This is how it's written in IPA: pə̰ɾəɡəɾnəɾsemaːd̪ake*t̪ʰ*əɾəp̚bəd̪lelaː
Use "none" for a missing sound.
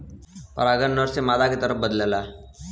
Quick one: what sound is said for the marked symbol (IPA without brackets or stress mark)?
t̪